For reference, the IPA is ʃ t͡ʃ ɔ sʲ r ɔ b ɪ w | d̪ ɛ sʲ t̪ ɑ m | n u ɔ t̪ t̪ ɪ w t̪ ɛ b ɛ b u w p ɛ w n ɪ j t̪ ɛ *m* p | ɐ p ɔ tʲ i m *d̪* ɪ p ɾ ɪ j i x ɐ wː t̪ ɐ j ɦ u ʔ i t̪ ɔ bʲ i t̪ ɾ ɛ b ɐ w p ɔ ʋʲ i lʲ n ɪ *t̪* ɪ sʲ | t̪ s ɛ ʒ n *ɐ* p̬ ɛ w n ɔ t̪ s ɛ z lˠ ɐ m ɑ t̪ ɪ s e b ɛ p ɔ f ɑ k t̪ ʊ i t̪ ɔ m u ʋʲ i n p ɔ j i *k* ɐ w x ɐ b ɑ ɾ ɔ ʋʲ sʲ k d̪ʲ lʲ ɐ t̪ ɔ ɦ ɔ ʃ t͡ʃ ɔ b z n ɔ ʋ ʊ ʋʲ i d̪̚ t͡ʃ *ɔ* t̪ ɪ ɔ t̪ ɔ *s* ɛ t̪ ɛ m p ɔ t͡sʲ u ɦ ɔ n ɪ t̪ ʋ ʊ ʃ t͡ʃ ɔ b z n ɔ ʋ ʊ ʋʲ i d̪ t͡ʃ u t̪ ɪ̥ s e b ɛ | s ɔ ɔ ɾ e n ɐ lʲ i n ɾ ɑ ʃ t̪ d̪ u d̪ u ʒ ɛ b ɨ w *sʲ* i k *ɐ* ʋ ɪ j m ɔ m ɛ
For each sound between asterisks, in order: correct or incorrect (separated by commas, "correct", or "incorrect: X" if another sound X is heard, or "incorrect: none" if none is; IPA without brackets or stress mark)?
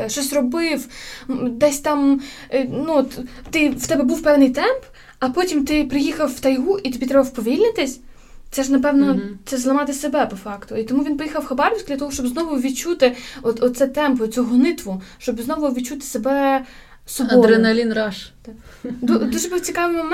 correct, incorrect: t̪, correct, correct, incorrect: x, incorrect: u, correct, incorrect: t͡sʲ, incorrect: ɑ